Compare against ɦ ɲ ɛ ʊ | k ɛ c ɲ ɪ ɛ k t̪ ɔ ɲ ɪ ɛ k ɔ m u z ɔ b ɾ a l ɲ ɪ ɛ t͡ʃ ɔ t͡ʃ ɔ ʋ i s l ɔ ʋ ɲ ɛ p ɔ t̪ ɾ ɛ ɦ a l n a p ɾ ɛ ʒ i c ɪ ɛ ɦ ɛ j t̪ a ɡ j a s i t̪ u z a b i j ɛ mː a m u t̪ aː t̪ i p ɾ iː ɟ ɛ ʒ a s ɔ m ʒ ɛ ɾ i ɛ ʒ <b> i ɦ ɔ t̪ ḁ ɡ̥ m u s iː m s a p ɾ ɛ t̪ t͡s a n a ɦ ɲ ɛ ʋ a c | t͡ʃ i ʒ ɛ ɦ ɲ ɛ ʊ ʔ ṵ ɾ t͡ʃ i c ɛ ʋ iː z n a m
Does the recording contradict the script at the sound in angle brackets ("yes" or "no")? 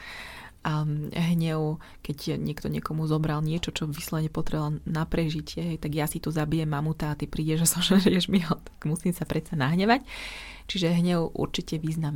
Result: yes